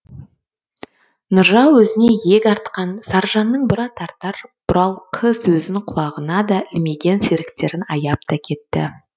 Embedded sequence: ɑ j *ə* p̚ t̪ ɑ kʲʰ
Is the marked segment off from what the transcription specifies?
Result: yes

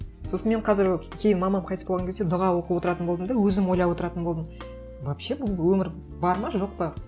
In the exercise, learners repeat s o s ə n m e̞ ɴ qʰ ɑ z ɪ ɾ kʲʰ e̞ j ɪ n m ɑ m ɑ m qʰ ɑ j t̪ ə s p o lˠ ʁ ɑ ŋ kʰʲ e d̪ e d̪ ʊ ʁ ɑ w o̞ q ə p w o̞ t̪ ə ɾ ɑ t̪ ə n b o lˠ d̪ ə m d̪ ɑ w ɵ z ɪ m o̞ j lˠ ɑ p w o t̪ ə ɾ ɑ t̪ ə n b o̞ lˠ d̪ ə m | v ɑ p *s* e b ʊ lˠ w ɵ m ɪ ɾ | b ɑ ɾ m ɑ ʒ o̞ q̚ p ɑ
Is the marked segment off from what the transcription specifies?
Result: yes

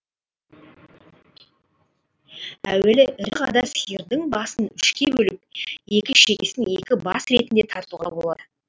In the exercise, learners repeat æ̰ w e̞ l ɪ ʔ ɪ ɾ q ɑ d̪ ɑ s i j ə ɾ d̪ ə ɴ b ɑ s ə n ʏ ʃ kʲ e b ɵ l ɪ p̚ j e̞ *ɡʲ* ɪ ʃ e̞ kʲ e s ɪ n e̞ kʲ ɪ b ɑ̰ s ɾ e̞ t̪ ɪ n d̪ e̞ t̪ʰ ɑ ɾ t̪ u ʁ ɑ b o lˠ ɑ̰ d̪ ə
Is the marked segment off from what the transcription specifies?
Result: yes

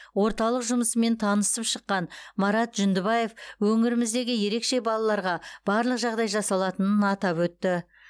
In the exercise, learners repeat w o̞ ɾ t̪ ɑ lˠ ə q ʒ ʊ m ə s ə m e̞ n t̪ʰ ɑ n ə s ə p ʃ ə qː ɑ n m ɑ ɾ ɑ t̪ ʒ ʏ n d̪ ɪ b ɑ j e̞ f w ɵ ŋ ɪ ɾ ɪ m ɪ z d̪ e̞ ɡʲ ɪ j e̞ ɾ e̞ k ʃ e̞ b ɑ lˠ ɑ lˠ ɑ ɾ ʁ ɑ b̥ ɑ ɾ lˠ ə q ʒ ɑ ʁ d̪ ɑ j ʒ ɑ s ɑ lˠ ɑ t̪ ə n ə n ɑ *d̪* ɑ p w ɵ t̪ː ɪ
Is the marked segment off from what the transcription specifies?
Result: yes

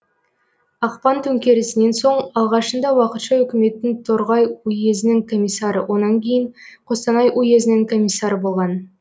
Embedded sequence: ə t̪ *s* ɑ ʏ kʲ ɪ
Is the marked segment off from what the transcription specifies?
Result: yes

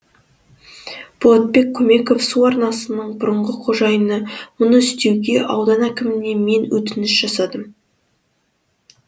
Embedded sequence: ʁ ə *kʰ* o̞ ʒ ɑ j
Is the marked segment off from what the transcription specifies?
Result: yes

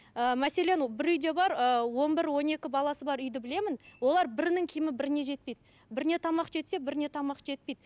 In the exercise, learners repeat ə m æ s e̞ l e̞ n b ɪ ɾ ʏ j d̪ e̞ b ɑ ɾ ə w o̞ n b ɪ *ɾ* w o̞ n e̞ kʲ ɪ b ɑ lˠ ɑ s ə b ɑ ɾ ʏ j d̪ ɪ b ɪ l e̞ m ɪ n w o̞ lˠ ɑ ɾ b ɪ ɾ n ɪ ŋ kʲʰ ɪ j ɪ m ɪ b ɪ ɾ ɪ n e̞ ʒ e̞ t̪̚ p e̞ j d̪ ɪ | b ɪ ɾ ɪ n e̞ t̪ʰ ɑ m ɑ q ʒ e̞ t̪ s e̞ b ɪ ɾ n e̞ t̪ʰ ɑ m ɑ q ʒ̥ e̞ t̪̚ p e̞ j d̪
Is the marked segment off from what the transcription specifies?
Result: no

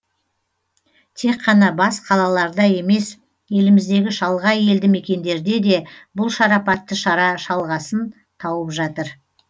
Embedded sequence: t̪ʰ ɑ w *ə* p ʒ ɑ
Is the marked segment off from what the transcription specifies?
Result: no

